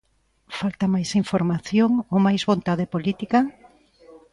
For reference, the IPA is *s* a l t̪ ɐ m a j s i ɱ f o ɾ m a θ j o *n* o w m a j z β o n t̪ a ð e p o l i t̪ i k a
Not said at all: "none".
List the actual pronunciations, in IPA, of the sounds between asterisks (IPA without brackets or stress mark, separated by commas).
f, ŋ